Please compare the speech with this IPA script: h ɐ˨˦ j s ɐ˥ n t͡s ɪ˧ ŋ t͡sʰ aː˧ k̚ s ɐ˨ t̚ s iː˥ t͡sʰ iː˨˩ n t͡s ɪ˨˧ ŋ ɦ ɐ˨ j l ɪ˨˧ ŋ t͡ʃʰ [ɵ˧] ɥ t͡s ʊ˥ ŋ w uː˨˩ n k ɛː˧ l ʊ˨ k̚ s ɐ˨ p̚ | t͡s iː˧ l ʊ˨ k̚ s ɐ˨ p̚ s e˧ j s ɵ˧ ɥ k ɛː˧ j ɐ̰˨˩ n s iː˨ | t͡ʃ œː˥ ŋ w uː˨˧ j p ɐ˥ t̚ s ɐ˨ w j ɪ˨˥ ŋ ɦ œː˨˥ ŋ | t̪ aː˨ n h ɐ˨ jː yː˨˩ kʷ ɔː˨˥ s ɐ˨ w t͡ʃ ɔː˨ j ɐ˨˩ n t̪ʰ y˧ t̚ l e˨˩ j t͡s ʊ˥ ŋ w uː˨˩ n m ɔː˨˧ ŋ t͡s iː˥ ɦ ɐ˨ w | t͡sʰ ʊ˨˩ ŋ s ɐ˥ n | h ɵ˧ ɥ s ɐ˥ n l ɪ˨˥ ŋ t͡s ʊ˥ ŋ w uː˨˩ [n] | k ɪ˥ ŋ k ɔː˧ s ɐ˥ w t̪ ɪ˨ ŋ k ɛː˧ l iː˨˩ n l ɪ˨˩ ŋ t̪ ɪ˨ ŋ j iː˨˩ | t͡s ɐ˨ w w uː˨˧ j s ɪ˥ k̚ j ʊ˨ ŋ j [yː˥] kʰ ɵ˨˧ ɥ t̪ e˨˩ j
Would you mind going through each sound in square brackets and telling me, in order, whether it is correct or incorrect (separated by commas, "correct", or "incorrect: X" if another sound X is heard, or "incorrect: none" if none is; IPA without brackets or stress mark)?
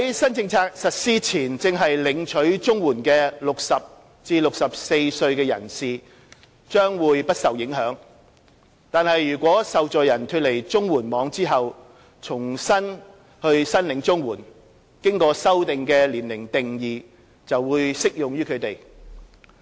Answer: incorrect: ɵ˨˥, correct, correct